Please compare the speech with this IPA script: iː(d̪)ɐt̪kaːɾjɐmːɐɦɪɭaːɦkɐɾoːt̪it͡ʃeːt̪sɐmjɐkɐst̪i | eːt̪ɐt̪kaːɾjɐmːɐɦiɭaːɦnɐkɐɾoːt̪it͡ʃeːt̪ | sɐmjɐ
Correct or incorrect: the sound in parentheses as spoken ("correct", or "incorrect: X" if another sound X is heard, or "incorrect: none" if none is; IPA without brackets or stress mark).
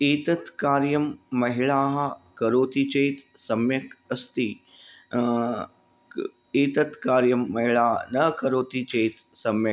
incorrect: t̪